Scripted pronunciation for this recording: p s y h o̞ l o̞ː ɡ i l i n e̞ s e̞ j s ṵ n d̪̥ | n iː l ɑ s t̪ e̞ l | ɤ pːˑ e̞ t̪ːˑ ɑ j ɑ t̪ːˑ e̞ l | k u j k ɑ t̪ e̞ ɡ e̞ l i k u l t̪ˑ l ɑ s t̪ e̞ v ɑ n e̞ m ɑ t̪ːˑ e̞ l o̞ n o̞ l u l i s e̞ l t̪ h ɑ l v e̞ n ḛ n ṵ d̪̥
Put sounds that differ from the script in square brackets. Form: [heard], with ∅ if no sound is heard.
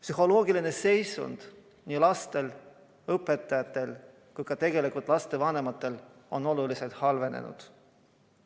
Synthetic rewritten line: p s y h o̞ l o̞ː ɡ i l i n e̞ s e̞ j s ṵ n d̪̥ | n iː l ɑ s t̪ e̞ l | ɤ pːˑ e̞ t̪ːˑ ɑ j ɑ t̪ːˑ e̞ l | k u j k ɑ t̪ e̞ ɡ e̞ l i k u l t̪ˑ l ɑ s t̪ e̞ v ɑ n e̞ m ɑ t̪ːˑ e̞ l o̞ n o̞ l u l i s e̞ l t̪ h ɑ l v e̞ n ḛ n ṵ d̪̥